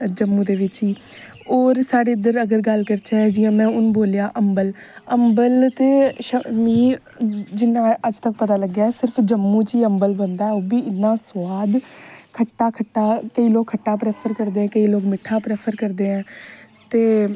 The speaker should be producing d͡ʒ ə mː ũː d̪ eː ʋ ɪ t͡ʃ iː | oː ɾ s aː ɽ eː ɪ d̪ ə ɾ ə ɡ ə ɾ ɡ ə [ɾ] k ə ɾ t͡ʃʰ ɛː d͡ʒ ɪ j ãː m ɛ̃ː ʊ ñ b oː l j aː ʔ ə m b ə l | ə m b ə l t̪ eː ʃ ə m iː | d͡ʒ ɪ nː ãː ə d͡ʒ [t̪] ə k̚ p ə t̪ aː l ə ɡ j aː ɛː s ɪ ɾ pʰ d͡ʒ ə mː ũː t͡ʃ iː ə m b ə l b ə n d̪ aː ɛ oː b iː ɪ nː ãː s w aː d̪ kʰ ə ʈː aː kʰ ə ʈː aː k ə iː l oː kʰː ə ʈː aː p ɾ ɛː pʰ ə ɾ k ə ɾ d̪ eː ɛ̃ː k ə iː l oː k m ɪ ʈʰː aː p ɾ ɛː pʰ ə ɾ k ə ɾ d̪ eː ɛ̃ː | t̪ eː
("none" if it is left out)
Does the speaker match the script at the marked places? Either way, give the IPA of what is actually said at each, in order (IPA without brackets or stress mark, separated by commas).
l, t̪